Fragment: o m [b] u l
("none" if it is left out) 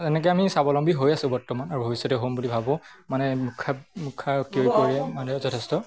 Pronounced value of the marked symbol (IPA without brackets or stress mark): b